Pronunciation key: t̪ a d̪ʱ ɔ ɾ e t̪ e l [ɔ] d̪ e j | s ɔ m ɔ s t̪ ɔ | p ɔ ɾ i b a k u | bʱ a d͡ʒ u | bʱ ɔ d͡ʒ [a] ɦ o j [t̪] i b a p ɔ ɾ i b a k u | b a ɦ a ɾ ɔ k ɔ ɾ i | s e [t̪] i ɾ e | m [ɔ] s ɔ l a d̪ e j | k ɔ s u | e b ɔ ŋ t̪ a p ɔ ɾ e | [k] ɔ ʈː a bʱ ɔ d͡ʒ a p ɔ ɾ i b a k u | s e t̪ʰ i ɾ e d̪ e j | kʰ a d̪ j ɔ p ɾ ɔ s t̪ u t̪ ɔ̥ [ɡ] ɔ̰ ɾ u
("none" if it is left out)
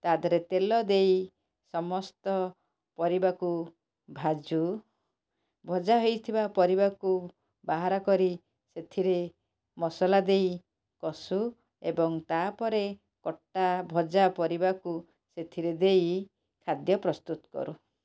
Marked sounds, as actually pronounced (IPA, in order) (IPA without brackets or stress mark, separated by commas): ɔ, a, t̪ʰ, t̪ʰ, ɔ, k, k